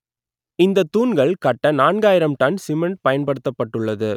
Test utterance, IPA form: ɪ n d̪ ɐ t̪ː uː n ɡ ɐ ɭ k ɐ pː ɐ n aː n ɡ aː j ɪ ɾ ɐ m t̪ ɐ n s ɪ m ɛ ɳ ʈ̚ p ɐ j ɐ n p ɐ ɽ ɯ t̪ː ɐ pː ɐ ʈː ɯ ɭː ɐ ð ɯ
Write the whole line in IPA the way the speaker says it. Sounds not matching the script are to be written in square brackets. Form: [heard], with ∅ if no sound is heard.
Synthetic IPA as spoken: ɪ n d̪ ɐ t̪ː uː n ɡ ɐ ɭ k ɐ [ʈː] ɐ n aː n ɡ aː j ɪ ɾ ɐ m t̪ ɐ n s ɪ m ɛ ɳ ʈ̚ p ɐ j ɐ n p ɐ ɽ ɯ t̪ː ɐ pː ɐ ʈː ɯ ɭː ɐ ð ɯ